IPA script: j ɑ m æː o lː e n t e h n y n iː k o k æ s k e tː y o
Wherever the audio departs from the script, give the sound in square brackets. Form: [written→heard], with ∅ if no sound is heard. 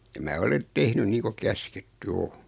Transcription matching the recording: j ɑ m æː o [lː→l] e n t e h n y n iː k o k æ s k e tː y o

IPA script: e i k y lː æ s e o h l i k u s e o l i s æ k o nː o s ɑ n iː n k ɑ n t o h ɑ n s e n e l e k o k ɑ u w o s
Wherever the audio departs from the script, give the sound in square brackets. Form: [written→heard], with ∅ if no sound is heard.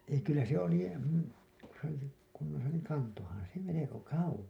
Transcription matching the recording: e i k y lː æ s e o [h→∅] l i k u s e o l i s [æ→e] k [o→u] nː o s ɑ n iː [n→ŋ] k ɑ n t o h ɑ n s e [n→m] e l e k o k ɑ u w o s

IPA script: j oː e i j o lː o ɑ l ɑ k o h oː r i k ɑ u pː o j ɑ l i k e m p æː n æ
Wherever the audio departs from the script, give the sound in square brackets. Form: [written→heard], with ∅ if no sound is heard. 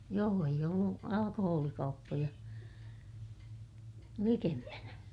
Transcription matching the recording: j oː e i j o lː [o→u] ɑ l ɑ k o h oː [r→l] i k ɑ u pː o j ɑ l i k e m p [æː→æ] n æ

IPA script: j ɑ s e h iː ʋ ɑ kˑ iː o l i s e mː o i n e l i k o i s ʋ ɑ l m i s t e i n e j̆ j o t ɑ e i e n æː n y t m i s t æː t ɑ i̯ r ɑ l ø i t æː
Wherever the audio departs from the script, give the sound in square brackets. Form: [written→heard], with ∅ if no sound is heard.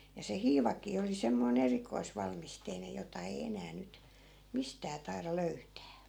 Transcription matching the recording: j ɑ s e h iː ʋ ɑ kˑ iː o l i s e mː o i n e [l→r] i k o i s ʋ ɑ l m i s t e i n e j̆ j o t ɑ e i e n æː n y t m i s t æː t ɑ i̯ r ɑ l ø [i→y] t æː

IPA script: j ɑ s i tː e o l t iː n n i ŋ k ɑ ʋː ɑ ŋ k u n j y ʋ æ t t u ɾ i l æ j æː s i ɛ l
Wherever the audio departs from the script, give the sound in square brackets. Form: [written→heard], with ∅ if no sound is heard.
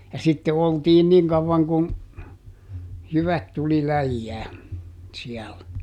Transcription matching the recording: j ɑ s i tː e o l t iː n n i ŋ k ɑ ʋː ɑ ŋ k u n j y ʋ æ t t u [ɾ→l] i l æ [j→jː] æː s i ɛ l

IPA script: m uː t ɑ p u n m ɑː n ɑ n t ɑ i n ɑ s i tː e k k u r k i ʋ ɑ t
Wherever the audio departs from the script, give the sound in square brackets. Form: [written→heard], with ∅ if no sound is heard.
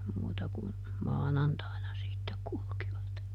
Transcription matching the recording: m uː t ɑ [p→k] u n m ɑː n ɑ n t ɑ i n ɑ s i tː e k k u [r→l] k i ʋ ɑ t

